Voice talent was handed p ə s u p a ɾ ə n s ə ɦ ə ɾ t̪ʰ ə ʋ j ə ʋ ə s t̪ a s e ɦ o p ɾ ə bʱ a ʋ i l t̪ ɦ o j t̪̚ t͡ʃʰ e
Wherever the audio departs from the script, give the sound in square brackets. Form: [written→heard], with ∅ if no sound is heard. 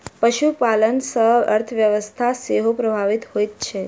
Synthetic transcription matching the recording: p ə [s→ʃ] u p a [ɾ→l] ə n s ə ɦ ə ɾ t̪ʰ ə ʋ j ə ʋ ə s [t̪→t̪ʰ] a s e ɦ o p ɾ ə bʱ a ʋ i [l→∅] t̪ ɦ o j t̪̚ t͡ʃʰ e